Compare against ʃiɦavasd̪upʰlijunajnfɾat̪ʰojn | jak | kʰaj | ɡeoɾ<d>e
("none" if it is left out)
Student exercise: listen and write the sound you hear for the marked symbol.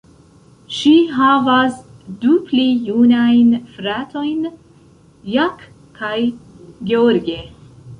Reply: ɡ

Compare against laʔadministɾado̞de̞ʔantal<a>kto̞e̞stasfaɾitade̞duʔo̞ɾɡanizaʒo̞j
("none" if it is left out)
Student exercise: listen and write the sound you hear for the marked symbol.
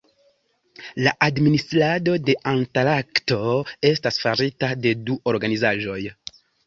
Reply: a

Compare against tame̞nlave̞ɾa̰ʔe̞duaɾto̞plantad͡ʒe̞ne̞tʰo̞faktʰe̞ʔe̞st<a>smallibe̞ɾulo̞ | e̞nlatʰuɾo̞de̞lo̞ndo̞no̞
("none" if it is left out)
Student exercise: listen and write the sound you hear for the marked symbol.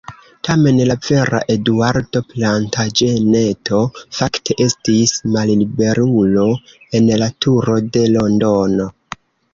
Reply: i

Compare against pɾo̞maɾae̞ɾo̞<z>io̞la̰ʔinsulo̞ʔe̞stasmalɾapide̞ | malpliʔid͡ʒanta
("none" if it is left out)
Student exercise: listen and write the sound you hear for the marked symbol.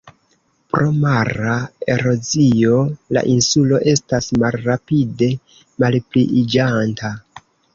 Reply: z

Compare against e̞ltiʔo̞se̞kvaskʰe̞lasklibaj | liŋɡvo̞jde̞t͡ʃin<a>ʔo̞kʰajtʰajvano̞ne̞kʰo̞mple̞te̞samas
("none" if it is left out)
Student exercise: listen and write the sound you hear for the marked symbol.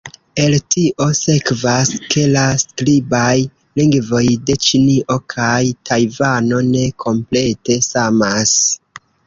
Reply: i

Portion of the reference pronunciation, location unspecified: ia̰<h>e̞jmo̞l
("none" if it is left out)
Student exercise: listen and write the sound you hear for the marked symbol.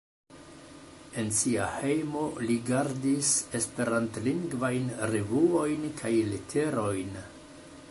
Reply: h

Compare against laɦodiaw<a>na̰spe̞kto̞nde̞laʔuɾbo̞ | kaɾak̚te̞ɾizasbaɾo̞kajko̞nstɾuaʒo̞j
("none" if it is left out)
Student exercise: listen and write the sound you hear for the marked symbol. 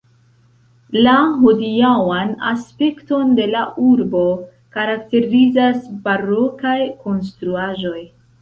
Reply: a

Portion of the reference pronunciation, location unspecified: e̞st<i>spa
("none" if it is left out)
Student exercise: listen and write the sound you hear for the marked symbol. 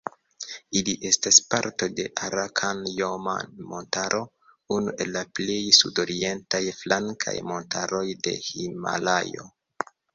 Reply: a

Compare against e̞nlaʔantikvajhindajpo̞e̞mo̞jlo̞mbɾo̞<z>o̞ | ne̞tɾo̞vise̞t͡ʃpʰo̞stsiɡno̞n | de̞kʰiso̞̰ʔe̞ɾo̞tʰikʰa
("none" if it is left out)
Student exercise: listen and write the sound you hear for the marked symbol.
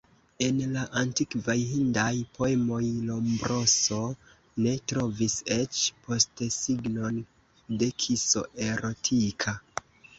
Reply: s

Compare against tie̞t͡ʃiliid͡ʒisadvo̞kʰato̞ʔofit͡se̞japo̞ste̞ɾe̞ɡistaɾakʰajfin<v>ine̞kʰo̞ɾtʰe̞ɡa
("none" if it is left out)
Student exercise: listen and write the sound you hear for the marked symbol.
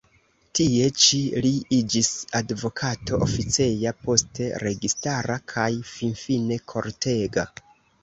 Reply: f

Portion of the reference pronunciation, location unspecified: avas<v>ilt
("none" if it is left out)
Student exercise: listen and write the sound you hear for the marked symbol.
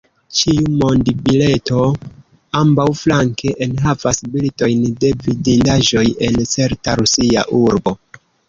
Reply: b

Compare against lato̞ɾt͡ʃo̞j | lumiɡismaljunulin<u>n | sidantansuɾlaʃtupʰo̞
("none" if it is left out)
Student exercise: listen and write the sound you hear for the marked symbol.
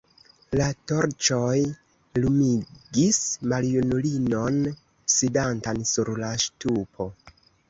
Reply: o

